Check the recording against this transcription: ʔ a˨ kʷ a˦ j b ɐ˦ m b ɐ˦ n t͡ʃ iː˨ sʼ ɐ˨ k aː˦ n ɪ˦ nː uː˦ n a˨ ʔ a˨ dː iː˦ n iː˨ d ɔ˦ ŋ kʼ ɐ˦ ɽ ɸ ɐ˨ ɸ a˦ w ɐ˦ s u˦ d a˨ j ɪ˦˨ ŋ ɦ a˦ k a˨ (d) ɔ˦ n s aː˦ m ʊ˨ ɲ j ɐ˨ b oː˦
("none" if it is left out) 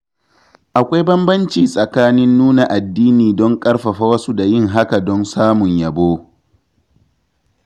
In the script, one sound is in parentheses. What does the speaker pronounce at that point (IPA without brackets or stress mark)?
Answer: d